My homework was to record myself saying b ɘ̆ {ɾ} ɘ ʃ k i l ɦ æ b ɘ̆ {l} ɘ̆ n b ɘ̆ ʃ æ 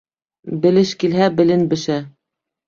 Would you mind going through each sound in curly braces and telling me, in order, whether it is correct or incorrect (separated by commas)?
incorrect, correct